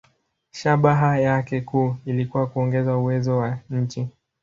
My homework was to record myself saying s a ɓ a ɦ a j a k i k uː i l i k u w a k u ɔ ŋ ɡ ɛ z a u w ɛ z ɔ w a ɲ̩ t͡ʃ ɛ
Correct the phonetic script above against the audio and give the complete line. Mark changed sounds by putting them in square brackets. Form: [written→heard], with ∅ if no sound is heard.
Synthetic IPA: [s→ʃ] a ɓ a ɦ a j a k [i→ɛ] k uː i l i k u w a k u ɔ ŋ ɡ ɛ z a u w ɛ z ɔ w a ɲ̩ t͡ʃ [ɛ→i]